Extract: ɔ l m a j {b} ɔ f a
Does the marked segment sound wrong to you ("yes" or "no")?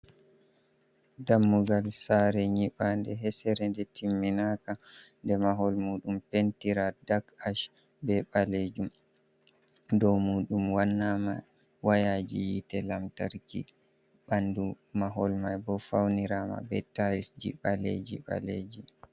no